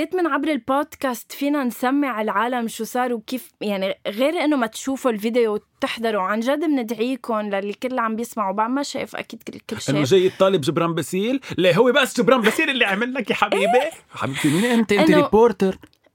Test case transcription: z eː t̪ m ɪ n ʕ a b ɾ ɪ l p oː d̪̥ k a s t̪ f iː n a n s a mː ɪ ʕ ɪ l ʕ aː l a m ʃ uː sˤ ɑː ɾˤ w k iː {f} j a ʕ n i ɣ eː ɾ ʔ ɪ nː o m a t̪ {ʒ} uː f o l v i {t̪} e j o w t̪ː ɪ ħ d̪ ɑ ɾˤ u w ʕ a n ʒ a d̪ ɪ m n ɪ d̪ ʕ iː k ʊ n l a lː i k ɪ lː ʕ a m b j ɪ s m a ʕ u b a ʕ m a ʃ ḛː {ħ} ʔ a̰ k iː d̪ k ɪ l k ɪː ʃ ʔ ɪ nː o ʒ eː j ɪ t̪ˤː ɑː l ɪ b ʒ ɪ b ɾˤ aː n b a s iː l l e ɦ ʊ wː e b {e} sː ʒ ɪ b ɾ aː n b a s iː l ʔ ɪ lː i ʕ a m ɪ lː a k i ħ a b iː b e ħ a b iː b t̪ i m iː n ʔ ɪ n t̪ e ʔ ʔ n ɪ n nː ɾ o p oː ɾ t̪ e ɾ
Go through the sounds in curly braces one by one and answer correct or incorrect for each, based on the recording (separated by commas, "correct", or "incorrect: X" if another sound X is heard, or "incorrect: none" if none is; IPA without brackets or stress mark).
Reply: correct, incorrect: ʃ, incorrect: d̪, incorrect: f, incorrect: a